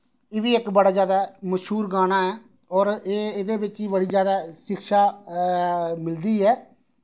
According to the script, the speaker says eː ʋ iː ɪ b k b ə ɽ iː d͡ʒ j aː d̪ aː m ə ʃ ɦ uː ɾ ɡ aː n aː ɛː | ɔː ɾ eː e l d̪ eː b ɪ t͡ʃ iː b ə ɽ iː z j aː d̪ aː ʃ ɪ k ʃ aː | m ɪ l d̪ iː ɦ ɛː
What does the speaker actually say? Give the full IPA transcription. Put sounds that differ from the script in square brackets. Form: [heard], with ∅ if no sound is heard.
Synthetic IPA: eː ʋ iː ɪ [∅] k b ə ɽ [aː] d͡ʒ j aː d̪ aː m ə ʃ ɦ uː ɾ ɡ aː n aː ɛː | ɔː ɾ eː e [∅] d̪ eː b ɪ t͡ʃ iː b ə ɽ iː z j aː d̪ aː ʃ ɪ k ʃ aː | m ɪ l d̪ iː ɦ ɛː